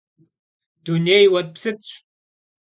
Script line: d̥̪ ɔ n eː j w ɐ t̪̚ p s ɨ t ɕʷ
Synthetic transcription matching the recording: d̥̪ u n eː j w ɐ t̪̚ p s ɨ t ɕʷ